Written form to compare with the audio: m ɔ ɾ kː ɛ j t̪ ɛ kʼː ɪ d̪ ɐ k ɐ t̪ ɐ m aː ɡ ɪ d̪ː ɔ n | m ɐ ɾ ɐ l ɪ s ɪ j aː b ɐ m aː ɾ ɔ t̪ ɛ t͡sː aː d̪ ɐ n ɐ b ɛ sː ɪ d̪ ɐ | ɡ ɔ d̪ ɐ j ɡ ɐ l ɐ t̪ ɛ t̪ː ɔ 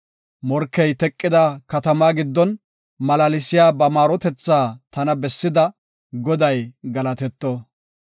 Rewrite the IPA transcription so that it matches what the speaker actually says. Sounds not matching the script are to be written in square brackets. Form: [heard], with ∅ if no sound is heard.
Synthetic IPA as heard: m ɔ ɾ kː ɛ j t̪ ɛ kʼː ɪ d̪ ɐ k ɐ t̪ ɐ m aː ɡ ɪ d̪ː ɔ n | m ɐ [l] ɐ l ɪ s ɪ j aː b ɐ m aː ɾ ɔ t̪ ɛ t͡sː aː [t̪] ɐ n ɐ b ɛ sː ɪ d̪ ɐ | ɡ ɔ d̪ ɐ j ɡ ɐ l ɐ t̪ ɛ t̪ː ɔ